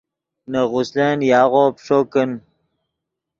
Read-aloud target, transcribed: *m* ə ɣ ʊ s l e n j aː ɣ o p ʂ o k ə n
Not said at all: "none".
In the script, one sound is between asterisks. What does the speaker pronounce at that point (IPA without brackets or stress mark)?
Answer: n